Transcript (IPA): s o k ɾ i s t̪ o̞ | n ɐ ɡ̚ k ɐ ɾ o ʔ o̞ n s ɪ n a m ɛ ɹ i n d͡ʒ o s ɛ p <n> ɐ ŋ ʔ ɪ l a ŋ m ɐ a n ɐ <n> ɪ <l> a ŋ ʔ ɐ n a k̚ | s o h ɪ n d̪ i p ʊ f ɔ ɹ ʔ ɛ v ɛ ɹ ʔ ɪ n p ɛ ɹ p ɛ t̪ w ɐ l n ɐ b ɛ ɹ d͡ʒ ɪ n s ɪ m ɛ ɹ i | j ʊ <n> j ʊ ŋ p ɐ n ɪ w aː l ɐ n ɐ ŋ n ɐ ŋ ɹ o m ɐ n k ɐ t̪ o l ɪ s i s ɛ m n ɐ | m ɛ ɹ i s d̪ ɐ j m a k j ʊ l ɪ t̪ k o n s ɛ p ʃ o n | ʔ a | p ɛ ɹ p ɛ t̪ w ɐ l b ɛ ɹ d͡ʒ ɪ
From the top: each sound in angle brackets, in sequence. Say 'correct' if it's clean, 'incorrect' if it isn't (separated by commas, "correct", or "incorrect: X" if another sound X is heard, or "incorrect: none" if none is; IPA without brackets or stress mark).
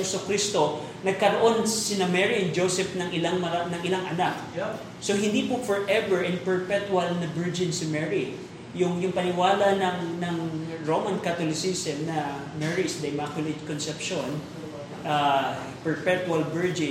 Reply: correct, incorrect: ŋ, correct, incorrect: ŋ